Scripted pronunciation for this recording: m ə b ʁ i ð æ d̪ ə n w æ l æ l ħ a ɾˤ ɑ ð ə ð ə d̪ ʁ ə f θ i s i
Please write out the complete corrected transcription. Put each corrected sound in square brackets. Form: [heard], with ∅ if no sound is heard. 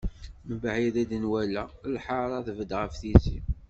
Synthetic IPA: m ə b [ʕ] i ð æ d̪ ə n w æ l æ l ħ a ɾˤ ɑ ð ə [v] ə d̪ ʁ ə f θ i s i

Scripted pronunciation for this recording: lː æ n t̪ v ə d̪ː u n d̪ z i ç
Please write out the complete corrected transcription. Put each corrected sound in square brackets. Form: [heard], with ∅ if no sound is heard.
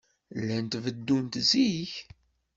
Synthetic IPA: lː æ n t̪ v ə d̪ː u n [t̪] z i ç

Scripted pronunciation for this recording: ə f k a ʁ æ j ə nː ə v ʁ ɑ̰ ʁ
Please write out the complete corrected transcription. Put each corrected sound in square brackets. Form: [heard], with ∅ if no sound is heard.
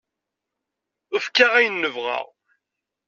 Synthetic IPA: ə f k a ʁ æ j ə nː ə v ʁ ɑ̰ ʁ

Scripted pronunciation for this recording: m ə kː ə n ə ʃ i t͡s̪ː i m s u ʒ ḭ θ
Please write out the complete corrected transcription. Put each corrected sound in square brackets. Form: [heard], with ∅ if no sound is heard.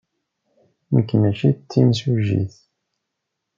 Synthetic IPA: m ə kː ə n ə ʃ i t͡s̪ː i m s u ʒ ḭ θ

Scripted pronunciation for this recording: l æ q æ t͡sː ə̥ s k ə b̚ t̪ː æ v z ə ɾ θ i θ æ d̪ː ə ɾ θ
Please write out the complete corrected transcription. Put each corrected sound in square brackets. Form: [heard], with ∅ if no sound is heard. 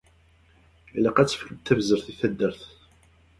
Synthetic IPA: l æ q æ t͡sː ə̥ [f] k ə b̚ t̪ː æ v z ə ɾ θ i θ æ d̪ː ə ɾ θ

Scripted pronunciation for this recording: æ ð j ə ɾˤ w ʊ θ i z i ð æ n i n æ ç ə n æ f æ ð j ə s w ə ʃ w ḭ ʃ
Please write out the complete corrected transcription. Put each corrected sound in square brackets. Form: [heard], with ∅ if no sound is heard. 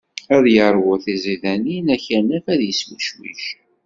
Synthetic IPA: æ ð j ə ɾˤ w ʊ θ i z i ð æ n i n æ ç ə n æ f æ ð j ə s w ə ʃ w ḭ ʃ

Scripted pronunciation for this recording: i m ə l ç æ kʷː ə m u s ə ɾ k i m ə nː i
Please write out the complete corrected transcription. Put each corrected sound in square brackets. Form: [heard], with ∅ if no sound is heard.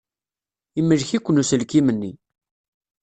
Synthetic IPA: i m ə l ç [i] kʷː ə [n] u s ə [l] k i m ə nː i

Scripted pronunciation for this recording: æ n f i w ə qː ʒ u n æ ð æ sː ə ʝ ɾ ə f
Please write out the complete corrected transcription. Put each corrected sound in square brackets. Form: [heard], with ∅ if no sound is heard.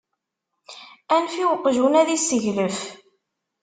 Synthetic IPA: æ n f i w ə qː ʒ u n æ ð [i] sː ə ʝ [l] ə f

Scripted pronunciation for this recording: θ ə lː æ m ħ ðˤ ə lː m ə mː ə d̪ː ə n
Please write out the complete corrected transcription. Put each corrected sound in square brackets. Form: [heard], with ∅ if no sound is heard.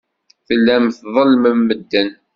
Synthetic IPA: θ ə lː æ m [θ] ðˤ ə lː m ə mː ə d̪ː ə n

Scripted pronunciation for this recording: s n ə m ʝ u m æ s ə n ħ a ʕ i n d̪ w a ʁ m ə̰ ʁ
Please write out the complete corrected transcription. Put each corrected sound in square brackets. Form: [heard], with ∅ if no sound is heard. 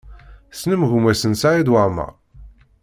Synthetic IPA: s n ə m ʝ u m æ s ə n [s] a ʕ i [∅] d̪ w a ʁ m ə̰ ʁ

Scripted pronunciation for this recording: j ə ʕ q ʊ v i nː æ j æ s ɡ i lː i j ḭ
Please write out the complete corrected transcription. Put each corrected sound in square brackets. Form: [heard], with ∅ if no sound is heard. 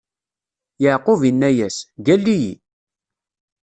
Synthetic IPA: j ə ʕ q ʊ v i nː æ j æ s ɡ [æ] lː i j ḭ

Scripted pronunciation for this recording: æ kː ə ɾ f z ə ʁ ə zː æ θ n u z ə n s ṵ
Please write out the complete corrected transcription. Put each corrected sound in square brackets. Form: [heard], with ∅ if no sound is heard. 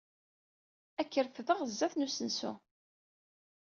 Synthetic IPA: æ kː ə ɾ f [ð] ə ʁ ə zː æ θ n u [s] ə n s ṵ

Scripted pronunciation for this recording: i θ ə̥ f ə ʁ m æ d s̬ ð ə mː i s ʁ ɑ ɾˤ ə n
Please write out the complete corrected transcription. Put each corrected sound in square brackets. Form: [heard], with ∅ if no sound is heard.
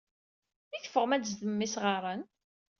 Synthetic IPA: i θ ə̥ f ə ʁ m æ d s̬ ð ə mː i s ʁ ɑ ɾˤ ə n

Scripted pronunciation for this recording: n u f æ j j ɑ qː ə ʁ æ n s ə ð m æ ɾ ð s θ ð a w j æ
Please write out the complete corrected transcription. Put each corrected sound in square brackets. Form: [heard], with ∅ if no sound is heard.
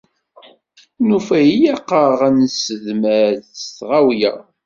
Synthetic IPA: n u f æ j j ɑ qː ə ʁ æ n s ə ð m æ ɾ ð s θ [ʁ] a w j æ

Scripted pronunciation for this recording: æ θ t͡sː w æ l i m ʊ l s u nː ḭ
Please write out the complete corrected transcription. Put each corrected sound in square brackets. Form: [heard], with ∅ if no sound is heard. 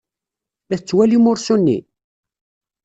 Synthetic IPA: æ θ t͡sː w æ l i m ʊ [ɾ] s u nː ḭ

